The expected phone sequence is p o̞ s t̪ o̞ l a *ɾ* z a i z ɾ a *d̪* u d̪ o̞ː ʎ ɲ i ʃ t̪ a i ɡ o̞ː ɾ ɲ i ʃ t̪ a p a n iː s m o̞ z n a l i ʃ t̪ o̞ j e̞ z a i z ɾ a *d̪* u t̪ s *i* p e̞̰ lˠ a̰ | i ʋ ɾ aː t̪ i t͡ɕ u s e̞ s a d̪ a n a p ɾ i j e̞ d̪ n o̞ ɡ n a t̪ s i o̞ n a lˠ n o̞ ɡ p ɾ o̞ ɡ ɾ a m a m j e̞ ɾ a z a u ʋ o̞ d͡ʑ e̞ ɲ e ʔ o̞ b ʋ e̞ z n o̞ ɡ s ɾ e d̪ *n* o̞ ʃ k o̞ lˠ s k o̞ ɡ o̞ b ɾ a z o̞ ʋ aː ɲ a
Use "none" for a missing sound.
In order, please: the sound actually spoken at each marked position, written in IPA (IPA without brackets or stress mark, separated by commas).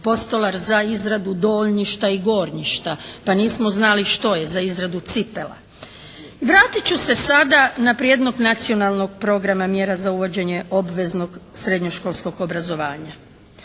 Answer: ɾ, d̪, d̪, i, ɲ